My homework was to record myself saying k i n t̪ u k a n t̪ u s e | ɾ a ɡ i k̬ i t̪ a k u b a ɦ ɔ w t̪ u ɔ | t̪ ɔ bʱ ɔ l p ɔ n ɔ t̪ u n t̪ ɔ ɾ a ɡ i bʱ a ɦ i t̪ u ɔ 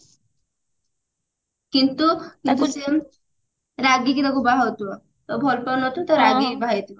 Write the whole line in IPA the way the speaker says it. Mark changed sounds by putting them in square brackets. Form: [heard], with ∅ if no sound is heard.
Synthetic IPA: k i n t̪ u k [i] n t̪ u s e | ɾ a ɡ i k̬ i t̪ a k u b a ɦ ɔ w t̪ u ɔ | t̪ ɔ bʱ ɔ l p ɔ n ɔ t̪ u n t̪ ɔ ɾ a ɡ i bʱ a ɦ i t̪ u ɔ